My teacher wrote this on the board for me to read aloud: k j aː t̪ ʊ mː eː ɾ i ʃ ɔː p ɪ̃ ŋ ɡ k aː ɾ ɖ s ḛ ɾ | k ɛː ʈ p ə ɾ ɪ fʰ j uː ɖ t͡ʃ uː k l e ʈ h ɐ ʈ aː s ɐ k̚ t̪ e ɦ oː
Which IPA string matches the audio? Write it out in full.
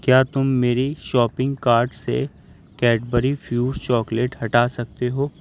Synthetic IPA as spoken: k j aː t̪ ʊ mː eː ɾ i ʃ ɔː p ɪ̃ ŋ ɡ k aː ɾ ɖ s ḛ | k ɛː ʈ b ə ɾ i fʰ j uː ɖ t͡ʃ ɔː k l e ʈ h ɐ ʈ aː s ɐ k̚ t̪ e ɦ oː